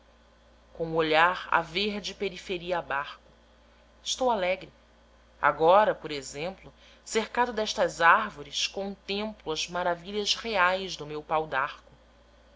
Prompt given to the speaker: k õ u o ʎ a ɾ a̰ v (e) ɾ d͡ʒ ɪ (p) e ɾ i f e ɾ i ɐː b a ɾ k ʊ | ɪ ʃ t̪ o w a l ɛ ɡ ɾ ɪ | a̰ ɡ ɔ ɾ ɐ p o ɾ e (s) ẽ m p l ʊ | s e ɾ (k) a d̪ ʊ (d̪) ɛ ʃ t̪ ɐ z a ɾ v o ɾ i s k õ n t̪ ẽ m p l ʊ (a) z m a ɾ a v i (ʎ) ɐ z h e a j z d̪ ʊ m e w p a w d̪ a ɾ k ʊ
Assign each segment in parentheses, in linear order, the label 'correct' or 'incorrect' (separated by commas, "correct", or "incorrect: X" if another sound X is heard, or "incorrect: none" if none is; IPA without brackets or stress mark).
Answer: correct, correct, incorrect: z, correct, correct, incorrect: ɐ, correct